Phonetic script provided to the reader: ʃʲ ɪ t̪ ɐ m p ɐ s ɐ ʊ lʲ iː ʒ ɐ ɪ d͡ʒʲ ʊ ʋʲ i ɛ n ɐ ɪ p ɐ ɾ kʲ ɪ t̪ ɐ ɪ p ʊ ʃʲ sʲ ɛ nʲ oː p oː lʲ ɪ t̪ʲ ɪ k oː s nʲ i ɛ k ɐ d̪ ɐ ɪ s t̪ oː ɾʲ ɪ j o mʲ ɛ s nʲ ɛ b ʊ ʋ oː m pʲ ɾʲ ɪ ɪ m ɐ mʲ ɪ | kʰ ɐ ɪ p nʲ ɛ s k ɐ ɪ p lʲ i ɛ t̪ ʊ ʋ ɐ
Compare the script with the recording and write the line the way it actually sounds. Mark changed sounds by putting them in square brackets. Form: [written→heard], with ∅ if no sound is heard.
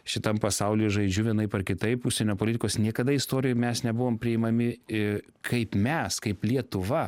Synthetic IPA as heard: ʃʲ ɪ t̪ ɐ m p ɐ s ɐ ʊ lʲ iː ʒ ɐ ɪ d͡ʒʲ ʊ ʋʲ i ɛ n ɐ ɪ p ɐ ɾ kʲ ɪ t̪ ɐ ɪ p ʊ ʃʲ sʲ ɛ nʲ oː p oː lʲ ɪ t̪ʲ ɪ k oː s nʲ i ɛ k ɐ d̪ ɐ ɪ s t̪ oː ɾʲ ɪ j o mʲ ɛ s nʲ ɛ b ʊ ʋ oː m pʲ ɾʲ ɪ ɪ m ɐ mʲ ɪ | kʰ ɐ ɪ p [nʲ→mʲ] ɛ s k ɐ ɪ p lʲ i ɛ t̪ ʊ ʋ ɐ